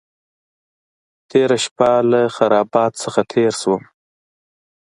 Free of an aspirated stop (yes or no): no